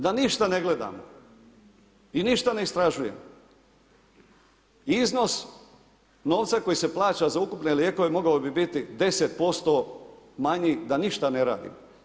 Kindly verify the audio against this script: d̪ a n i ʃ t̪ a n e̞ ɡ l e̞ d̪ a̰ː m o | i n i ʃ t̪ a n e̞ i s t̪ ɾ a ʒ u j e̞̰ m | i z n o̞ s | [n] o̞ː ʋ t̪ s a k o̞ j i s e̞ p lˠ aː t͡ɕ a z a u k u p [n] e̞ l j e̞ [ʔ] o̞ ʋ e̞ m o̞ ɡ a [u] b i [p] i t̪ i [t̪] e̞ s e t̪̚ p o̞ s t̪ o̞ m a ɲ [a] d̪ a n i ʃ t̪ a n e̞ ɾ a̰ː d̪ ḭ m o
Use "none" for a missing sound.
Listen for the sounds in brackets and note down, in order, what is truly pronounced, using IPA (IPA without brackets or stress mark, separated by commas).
n, n, k, o, b, d̪, i